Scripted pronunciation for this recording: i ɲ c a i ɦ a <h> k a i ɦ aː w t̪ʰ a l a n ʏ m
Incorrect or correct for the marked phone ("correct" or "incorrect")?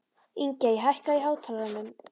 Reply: correct